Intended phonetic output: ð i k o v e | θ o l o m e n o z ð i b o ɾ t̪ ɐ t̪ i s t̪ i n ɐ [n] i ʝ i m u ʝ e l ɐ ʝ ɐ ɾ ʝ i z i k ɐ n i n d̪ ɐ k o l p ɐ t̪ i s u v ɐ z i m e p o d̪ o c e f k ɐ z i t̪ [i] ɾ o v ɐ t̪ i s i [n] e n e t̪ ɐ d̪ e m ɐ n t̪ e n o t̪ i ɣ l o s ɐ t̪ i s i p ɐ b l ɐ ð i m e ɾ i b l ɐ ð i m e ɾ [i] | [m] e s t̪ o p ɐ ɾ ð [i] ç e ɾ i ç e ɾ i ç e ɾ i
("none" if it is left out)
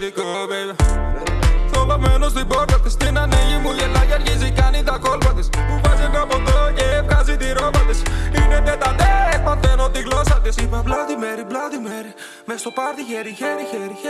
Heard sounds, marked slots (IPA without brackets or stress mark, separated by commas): n, i, n, i, m, i